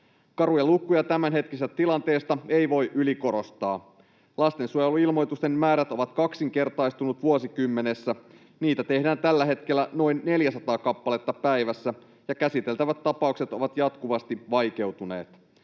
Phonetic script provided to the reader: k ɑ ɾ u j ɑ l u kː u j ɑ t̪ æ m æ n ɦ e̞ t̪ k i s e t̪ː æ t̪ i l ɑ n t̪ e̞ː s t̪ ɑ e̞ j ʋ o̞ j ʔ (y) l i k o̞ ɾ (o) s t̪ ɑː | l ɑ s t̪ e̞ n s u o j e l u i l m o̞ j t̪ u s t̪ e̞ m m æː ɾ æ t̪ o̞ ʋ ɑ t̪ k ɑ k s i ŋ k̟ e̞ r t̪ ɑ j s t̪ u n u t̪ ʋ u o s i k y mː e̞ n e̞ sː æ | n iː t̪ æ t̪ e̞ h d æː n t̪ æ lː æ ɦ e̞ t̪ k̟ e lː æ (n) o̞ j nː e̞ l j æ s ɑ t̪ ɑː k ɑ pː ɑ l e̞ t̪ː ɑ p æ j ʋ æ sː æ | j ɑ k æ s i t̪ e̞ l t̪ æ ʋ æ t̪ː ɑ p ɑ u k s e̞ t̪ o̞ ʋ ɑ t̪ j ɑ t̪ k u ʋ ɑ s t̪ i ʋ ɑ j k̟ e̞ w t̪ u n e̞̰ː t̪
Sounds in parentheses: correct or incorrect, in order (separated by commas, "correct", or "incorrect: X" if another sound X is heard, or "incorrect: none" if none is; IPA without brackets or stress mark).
correct, correct, correct